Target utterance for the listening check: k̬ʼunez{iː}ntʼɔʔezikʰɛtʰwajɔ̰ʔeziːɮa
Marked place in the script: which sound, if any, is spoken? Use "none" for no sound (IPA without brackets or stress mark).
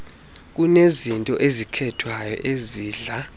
i